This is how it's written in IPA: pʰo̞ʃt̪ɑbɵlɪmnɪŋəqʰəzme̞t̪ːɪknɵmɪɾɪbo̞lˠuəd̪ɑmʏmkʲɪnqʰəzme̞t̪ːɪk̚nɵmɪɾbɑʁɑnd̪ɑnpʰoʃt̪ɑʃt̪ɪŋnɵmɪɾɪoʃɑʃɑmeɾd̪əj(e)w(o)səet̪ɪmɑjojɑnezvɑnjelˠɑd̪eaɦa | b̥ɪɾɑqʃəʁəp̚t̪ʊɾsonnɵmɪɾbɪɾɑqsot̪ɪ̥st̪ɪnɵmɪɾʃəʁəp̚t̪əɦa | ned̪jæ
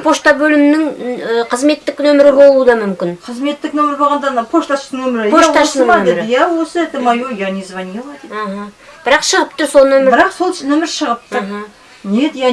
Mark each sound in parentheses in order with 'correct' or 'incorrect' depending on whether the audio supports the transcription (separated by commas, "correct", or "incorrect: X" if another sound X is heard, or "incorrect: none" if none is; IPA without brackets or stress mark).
incorrect: æ, correct